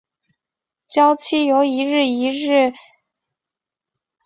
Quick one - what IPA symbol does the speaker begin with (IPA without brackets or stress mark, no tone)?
t͡ɕ